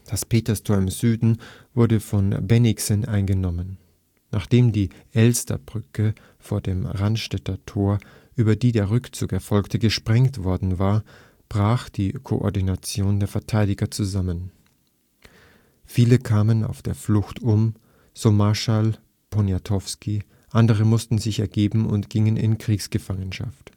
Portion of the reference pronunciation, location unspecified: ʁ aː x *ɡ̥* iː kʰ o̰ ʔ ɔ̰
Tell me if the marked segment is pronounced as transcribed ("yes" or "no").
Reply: no